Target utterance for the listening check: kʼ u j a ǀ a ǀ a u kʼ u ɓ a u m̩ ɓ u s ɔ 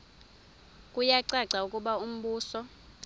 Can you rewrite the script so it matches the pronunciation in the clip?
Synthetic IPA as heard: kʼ u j a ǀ a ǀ a u kʼ u ɓ a u m̩ ɓ uː s ɔ